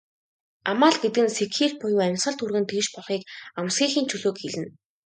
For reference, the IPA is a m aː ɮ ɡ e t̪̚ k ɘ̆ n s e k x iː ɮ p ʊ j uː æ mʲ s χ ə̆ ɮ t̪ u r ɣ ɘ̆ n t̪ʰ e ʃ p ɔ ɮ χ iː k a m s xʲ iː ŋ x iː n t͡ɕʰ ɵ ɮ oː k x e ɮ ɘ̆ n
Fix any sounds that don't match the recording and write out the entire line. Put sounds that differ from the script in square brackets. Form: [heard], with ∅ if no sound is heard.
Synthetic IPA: a m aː ɮ ɡ e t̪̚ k ɘ̆ n s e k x iː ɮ p ʊ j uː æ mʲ s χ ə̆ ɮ t̪ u r ɣ ɘ̆ n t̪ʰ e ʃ p ɔ ɮ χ iː k a m s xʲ iː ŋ x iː n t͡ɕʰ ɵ ɮ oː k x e ɮ ɘ̆ n